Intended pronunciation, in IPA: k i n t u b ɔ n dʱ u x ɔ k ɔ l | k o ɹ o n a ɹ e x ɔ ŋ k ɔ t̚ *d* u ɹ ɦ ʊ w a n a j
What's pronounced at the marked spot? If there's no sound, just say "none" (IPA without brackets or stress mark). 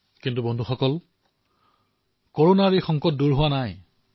d